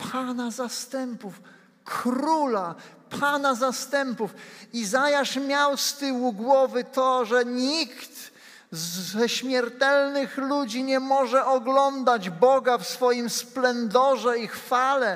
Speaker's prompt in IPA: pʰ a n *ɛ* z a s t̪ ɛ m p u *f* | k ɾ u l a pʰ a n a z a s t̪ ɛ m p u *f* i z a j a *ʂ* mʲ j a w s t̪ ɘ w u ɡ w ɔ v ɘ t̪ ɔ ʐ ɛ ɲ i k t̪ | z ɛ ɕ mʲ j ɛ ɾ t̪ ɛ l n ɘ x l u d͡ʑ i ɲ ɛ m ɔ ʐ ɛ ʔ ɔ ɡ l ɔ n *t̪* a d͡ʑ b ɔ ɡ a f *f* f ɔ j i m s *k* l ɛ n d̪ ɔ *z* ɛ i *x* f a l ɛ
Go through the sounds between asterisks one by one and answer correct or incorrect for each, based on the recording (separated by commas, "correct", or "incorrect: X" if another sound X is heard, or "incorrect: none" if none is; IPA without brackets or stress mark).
incorrect: a, correct, correct, correct, incorrect: d̪, incorrect: s, incorrect: p, incorrect: ʐ, correct